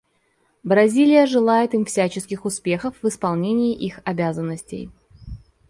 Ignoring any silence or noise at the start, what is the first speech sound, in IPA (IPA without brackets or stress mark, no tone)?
b